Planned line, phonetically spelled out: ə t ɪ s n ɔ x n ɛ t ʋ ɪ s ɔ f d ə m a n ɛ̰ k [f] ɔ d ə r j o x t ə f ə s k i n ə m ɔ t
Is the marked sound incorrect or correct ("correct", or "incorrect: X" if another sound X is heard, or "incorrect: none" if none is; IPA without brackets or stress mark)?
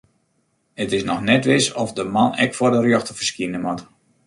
correct